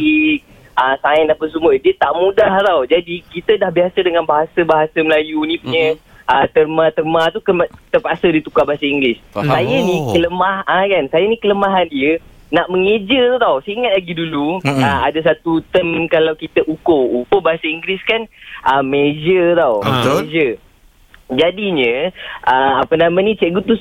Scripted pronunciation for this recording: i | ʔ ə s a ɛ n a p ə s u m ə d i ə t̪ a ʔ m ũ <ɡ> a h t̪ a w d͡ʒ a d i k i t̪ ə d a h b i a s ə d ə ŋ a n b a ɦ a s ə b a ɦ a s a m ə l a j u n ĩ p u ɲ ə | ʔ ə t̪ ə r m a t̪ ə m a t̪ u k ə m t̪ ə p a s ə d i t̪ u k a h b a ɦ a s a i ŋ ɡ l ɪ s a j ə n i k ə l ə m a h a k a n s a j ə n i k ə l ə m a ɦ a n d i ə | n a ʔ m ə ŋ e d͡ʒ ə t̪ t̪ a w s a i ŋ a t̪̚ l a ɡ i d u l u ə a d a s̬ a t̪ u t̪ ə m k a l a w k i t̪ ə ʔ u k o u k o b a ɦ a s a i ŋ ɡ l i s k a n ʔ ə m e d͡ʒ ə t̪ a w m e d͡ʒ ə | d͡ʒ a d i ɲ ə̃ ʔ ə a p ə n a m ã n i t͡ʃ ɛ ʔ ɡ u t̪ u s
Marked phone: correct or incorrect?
incorrect